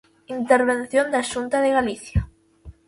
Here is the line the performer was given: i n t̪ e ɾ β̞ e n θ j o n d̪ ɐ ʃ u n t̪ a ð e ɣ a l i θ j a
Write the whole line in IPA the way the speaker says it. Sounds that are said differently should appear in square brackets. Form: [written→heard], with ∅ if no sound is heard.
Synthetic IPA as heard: i n t̪ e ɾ β̞ e n θ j o n d̪ [ɐ→a] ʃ u n t̪ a ð e ɣ a l i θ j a